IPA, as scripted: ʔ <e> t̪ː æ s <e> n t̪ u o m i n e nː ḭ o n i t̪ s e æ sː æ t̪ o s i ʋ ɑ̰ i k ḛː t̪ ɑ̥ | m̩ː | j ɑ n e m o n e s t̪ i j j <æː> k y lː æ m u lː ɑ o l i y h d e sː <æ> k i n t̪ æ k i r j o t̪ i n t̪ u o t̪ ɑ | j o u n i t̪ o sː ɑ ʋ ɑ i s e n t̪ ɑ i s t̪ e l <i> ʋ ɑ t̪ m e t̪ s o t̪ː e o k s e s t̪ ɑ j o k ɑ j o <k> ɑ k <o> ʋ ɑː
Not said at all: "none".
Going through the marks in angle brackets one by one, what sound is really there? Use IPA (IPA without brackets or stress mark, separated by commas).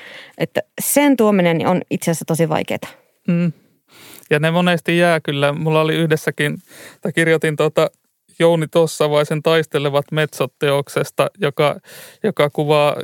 e, e, æː, æ, e, k, u